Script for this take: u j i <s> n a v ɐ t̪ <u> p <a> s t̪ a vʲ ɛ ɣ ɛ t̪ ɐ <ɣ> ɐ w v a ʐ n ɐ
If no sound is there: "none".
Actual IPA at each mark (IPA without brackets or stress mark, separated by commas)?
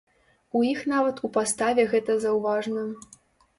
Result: x, u, a, z